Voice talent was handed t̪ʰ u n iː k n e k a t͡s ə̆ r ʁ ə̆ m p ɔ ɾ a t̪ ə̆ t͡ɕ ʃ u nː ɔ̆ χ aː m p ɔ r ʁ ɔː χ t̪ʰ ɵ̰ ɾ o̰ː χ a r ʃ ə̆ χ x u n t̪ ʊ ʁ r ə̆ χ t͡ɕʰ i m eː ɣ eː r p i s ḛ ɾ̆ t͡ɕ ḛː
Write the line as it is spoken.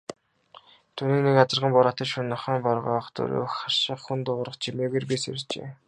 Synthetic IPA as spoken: t̪ʰ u n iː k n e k a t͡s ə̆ r ʁ ə̆ m p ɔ ɾ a t̪ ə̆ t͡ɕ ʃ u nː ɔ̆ χ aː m p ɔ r ʁ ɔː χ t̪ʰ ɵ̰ ɾ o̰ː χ a r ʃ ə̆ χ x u n t̪ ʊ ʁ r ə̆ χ t͡ɕʰ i m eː ɣ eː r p i s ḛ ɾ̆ t͡ɕ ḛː